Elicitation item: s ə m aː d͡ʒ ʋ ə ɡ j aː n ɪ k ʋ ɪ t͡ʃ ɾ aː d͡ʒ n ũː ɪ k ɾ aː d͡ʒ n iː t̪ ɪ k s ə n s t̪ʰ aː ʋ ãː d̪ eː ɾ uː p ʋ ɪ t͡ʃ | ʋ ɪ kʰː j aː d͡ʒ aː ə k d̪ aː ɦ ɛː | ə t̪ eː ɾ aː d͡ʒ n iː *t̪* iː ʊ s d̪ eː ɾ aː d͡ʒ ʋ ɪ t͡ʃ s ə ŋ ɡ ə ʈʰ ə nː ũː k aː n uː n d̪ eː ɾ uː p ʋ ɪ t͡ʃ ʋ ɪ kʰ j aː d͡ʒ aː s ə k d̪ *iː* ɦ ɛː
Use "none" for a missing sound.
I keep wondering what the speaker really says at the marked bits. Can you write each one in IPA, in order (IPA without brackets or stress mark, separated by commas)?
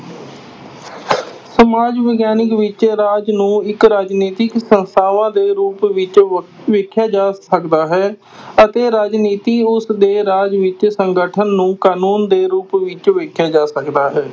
t̪, aː